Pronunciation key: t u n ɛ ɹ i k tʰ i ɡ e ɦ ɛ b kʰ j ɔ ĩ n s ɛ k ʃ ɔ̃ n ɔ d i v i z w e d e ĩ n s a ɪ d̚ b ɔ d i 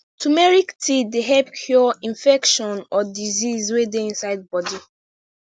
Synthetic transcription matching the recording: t u m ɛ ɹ i k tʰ i d e ɦ ɛ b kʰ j ɔ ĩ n f ɛ k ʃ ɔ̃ n ɔ d i z i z w e d e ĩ n s a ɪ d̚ b ɔ d i